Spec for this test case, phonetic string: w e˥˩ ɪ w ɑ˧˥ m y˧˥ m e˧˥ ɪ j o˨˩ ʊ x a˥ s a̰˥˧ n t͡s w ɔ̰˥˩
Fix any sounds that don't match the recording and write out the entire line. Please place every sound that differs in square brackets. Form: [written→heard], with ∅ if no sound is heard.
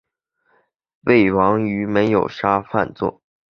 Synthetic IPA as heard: w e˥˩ ɪ w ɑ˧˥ [m→ŋ] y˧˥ m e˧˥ ɪ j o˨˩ ʊ [x→ʂ] a˥ [s→f] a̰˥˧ n t͡s w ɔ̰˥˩